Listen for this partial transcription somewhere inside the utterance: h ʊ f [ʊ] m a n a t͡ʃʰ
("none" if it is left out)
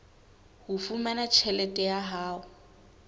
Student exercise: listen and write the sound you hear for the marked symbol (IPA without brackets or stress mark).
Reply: u